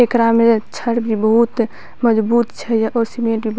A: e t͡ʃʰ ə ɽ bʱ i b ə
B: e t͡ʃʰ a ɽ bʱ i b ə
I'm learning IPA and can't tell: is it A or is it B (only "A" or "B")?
A